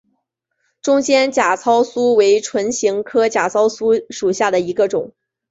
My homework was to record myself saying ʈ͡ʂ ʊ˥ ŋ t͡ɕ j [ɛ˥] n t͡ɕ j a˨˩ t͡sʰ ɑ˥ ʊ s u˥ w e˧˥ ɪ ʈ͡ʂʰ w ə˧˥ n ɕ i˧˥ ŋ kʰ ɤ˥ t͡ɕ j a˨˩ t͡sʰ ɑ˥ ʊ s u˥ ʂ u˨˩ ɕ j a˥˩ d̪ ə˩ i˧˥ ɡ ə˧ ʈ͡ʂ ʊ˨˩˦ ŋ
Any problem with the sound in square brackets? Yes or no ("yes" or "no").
no